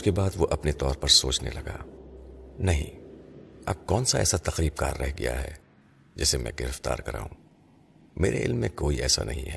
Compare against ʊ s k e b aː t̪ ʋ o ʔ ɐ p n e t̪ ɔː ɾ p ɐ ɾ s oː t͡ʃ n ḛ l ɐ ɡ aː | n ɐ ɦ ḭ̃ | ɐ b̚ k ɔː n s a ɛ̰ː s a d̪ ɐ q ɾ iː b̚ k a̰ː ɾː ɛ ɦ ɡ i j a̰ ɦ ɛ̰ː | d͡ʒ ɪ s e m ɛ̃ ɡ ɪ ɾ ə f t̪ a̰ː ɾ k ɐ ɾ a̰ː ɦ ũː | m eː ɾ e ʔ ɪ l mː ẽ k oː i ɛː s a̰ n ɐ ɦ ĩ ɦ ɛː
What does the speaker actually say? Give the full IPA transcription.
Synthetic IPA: ʊ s k e b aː d̪ ʋ o ʔ ɐ p n e t̪ ɔː ɾ p ɐ ɾ s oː t͡ʃ n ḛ l ɐ ɡ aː | n ɐ ɦ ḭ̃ | ɐ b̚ k ɔː n s a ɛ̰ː s a t̪ ɐ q ɾ iː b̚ k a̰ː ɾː ɛ ɦ ɡ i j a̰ ɦ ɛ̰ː | d͡ʒ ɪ s e m ɛ̃ ɡ ɪ ɾ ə f t̪ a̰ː ɾ k ɐ ɾ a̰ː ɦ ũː | m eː ɾ e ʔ ɪ l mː ẽ k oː i ɛː s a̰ n ɐ ɦ ĩ ɦ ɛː